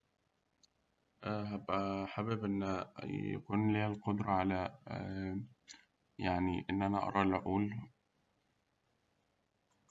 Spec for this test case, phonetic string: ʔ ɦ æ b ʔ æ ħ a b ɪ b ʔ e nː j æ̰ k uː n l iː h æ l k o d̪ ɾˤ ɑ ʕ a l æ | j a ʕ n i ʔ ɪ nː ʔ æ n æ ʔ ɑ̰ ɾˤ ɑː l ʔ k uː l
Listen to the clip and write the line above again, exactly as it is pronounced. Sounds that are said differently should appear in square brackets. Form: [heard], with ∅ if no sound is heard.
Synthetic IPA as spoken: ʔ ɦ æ b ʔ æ ħ a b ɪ b ʔ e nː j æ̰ k uː n l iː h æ l [q] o d̪ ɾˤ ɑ ʕ a l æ | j a ʕ n i ʔ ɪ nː ʔ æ n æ ʔ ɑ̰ ɾˤ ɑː l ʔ [ʔ] uː l